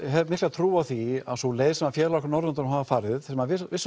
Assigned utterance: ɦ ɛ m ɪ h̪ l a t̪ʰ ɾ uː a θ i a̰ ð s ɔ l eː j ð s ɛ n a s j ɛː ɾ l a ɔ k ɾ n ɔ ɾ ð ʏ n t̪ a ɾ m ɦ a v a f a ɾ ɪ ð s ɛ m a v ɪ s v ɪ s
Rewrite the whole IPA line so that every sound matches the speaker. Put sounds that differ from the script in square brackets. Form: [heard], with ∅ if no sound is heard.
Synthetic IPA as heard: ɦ ɛ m ɪ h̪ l a t̪ʰ ɾ uː a θ i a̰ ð s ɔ l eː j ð s ɛ [m] a [f] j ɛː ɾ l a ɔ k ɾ n ɔ ɾ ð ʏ n t̪ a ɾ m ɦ a v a f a ɾ ɪ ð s ɛ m a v ɪ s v ɪ s